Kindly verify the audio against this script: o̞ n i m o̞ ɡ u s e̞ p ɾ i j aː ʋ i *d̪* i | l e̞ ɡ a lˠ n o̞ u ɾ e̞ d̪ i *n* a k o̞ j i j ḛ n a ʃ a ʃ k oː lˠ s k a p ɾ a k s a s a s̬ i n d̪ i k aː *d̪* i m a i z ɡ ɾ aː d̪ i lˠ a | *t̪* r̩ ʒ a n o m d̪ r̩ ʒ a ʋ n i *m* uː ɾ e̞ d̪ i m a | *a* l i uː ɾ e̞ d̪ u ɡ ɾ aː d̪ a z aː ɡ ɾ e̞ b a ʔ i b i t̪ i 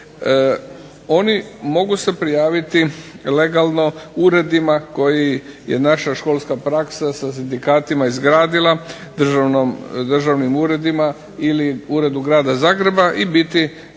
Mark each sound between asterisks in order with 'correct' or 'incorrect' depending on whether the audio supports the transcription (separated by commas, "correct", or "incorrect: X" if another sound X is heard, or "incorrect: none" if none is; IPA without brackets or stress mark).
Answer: incorrect: t̪, incorrect: m, incorrect: t̪, incorrect: d̪, correct, incorrect: i